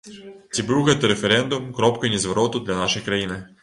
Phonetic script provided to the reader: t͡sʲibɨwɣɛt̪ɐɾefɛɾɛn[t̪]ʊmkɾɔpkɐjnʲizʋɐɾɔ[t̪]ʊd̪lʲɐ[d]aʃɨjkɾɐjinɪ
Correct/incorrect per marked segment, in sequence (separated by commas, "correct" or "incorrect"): incorrect, correct, incorrect